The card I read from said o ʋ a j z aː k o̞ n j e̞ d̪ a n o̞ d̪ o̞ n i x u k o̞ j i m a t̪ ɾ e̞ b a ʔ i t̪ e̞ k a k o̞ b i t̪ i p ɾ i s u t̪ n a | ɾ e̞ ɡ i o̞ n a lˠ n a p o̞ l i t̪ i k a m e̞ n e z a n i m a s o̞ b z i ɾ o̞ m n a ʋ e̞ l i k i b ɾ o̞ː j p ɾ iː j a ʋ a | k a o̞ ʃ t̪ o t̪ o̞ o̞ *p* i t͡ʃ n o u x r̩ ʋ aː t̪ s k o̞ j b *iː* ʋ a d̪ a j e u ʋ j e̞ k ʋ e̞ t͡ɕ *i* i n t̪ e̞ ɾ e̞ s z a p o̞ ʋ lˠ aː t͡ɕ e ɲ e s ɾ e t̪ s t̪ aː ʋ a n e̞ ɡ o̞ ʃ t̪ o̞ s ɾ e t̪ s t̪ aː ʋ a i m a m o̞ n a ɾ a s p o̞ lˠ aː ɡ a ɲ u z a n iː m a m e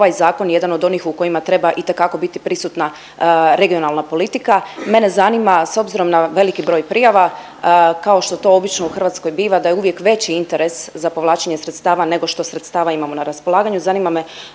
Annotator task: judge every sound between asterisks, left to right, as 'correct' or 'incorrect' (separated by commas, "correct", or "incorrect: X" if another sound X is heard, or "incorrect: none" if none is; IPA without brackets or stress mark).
incorrect: b, correct, correct